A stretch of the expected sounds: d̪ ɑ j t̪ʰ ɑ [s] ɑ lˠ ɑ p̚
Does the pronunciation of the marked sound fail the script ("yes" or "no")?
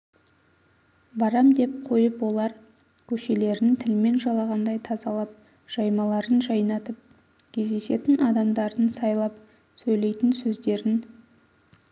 yes